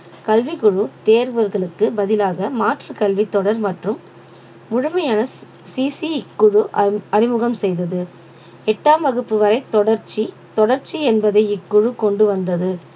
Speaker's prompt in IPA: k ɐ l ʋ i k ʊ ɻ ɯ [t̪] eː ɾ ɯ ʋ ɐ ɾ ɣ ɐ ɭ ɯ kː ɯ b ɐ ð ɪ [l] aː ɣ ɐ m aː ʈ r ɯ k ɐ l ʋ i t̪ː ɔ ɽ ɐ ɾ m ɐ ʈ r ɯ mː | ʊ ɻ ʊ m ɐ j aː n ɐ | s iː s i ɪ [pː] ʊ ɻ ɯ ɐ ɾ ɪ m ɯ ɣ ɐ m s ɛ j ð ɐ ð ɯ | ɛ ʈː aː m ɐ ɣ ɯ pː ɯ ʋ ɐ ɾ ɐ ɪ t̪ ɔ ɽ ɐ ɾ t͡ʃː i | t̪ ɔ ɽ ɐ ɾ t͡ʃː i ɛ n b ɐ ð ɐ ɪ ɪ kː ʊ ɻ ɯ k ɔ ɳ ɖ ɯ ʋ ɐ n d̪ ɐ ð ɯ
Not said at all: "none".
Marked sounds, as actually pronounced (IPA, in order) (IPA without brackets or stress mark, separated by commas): t̪, l, kː